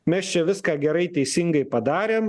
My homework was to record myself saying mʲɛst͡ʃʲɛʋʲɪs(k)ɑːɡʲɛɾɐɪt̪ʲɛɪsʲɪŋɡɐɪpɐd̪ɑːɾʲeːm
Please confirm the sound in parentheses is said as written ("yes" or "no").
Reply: yes